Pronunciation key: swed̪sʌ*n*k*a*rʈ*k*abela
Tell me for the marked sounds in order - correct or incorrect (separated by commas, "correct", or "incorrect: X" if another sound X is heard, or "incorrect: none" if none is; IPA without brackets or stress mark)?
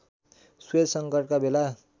incorrect: ŋ, incorrect: ʌ, correct